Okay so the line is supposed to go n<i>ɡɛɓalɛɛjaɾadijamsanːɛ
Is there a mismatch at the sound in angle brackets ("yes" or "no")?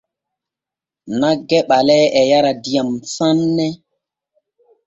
yes